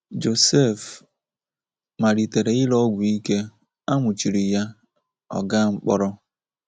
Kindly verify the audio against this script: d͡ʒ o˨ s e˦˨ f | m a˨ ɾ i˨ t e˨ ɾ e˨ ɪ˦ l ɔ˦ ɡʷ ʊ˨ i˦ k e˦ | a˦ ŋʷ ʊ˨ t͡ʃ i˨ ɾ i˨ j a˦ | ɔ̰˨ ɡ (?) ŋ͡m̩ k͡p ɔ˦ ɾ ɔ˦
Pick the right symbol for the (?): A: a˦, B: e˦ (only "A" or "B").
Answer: A